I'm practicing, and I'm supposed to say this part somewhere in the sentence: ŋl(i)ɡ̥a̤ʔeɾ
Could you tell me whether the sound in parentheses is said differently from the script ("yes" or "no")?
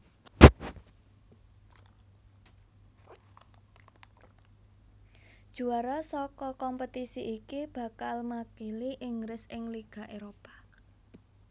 no